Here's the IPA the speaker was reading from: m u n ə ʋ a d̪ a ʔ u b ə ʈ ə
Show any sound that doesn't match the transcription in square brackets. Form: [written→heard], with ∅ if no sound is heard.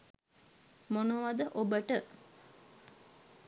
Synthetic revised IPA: m [u→o] n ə ʋ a d̪ [a→ə] ʔ [u→o] b ə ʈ ə